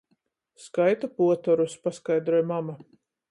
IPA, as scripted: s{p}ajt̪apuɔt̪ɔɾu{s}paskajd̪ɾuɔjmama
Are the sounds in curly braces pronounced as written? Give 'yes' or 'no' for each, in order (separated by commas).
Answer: no, yes